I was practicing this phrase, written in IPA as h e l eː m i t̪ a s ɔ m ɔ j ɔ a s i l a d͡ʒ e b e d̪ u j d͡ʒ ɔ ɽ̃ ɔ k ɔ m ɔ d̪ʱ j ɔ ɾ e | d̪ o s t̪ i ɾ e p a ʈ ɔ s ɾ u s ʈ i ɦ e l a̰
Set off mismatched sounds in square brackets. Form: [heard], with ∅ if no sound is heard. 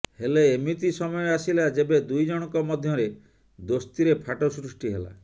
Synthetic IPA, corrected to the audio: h e l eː m i t̪ [i] s ɔ m ɔ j ɔ a s i l a d͡ʒ e b e d̪ u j d͡ʒ ɔ ɽ̃ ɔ k ɔ m ɔ d̪ʱ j ɔ ɾ e | d̪ o s t̪ i ɾ e [pʰ] a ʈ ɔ s ɾ u s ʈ i ɦ e l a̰